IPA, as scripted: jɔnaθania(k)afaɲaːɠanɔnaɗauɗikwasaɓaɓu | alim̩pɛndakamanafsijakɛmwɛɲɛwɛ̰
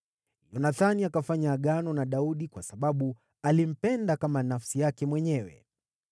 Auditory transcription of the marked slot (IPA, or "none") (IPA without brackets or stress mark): k